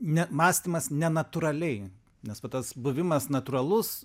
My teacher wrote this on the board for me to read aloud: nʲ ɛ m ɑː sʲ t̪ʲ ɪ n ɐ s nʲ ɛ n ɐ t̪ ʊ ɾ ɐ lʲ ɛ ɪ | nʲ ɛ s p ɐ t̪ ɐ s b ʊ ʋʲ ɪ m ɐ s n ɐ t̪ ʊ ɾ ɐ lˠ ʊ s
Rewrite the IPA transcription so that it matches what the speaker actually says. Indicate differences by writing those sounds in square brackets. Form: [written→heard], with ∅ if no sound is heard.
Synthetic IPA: nʲ ɛ m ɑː sʲ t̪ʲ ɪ [n→m] ɐ s nʲ ɛ n ɐ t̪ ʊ ɾ ɐ lʲ ɛ ɪ | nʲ ɛ s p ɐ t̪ ɐ s b ʊ ʋʲ ɪ m ɐ s n ɐ t̪ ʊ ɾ ɐ lˠ ʊ s